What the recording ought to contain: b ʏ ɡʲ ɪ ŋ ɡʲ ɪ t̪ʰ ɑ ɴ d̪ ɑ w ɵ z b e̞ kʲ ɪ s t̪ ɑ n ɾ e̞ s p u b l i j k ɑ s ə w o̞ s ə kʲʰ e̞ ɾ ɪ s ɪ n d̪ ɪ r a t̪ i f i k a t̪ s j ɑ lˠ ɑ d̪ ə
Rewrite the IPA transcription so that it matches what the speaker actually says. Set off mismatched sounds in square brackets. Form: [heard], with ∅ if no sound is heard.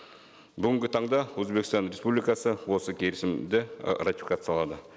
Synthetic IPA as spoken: b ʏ ɡʲ ɪ ŋ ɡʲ ɪ t̪ʰ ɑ ɴ d̪ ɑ w ɵ z b e̞ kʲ ɪ s t̪ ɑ n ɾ e̞ s p u b l i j k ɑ s ə w o̞ s ə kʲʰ e̞ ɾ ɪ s ɪ [m] d̪ ɪ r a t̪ i f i k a t̪ s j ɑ lˠ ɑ d̪ ə

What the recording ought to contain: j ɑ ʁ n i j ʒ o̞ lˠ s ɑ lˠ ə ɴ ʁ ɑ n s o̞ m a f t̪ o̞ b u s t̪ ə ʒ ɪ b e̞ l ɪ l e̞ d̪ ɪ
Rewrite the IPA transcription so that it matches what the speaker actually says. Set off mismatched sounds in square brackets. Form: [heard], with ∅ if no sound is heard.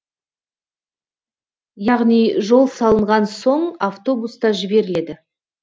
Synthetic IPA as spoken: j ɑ ʁ n i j ʒ o̞ lˠ s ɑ lˠ ə ɴ ʁ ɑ n s o̞ [ɴ] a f t̪ o̞ b u s t̪ [ɑ] ʒ ɪ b e̞ [ɾ] ɪ l e̞ d̪ ɪ

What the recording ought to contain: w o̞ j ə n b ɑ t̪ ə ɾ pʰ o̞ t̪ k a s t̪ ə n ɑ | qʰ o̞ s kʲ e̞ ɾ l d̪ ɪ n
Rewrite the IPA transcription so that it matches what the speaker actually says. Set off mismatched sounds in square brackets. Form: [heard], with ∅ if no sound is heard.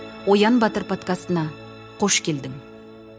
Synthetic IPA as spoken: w o̞ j [ɑ] n b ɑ t̪ ə ɾ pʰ o̞ t̪ k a s t̪ ə n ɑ | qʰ o̞ [ʃ] kʲ e̞ [∅] l d̪ ɪ [m]

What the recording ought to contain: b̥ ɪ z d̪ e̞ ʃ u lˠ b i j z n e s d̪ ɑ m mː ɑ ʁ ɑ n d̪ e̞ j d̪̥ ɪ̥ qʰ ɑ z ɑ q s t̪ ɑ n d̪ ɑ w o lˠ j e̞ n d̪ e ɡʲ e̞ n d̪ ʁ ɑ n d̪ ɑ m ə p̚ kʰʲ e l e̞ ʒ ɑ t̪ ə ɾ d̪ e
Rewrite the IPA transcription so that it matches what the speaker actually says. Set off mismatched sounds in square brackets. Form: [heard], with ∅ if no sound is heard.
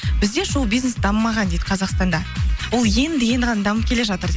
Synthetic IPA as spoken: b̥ ɪ z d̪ e̞ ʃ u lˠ b i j z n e s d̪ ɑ m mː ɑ ʁ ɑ n d̪ e̞ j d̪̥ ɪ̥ qʰ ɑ z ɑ q s t̪ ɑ n d̪ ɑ w o lˠ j e̞ n d̪ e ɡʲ e̞ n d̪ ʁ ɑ n d̪ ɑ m ə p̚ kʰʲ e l e̞ ʒ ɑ t̪ ə ɾ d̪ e

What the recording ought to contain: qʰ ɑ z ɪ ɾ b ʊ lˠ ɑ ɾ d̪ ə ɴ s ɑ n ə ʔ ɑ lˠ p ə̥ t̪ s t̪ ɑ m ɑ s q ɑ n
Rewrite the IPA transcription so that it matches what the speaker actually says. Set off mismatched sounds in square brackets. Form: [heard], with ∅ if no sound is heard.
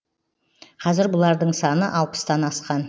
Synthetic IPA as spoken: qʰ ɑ z ɪ ɾ b ʊ lˠ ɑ ɾ d̪ ə ɴ s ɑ n ə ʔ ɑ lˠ p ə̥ [∅] s t̪ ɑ [n] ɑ s q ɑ n

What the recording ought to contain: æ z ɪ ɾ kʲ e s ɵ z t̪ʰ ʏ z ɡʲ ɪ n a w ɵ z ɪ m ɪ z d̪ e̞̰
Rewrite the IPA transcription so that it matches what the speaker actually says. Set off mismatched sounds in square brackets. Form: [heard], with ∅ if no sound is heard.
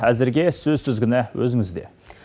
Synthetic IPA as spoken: æ z ɪ ɾ [ɡʲ] e s ɵ z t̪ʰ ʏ z ɡʲ ɪ n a w ɵ z ɪ [ŋ] ɪ z d̪ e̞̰

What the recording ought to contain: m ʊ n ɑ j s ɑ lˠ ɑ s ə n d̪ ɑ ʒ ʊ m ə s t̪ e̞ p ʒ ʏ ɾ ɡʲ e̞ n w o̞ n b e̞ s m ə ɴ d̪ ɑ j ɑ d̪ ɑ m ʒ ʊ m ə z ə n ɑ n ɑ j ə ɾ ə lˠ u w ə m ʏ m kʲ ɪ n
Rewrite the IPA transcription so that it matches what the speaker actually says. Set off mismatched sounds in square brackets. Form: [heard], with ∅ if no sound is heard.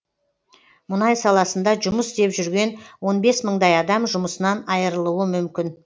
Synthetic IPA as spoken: m ʊ n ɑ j s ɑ lˠ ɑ s ə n d̪ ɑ ʒ ʊ m ə s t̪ e̞ p ʒ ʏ ɾ ɡʲ e̞ n w o̞ n b e̞ s m ə ɴ d̪ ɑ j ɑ d̪ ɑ m ʒ ʊ m ə [s] ə n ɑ n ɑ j ə ɾ ə lˠ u w ə m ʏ m kʲ ɪ n

